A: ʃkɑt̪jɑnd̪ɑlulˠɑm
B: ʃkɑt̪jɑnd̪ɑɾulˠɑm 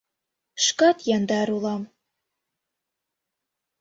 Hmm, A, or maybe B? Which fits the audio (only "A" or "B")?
B